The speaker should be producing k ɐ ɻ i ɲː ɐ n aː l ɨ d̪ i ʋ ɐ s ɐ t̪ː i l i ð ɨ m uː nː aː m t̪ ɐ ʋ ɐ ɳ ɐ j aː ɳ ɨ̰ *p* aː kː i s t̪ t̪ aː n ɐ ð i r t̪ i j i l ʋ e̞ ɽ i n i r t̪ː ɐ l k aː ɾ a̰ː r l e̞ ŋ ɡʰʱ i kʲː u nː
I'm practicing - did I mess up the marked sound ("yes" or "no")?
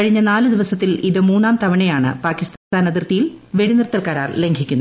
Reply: no